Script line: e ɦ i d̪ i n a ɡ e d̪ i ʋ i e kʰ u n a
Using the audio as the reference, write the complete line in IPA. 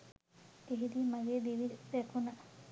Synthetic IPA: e ɦ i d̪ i m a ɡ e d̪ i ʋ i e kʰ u n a